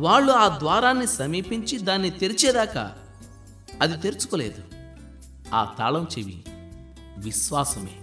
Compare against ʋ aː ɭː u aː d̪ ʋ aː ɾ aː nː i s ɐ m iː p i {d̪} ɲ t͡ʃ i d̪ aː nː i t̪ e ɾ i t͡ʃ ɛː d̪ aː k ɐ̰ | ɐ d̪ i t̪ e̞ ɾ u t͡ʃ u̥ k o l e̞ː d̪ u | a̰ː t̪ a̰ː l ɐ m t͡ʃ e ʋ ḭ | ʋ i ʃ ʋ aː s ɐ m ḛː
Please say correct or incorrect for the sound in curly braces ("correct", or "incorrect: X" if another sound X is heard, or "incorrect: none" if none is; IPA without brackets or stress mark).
incorrect: none